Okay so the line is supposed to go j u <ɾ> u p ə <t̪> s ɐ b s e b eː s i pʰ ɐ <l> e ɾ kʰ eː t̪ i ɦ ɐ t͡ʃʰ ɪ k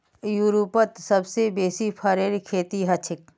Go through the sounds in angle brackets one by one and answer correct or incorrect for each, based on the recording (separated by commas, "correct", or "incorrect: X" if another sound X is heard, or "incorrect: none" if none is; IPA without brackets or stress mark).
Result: correct, correct, incorrect: ɾ